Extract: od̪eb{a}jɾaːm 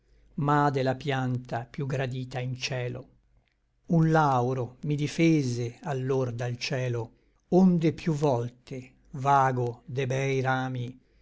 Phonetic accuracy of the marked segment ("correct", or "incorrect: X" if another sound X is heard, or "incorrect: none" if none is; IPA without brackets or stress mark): incorrect: ɛ